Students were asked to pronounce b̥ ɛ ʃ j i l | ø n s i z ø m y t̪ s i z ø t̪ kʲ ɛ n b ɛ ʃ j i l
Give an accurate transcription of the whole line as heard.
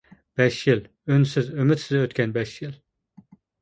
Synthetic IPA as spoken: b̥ ɛ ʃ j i l | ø n s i z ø m y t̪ s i z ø t̪ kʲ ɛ n b ɛ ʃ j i l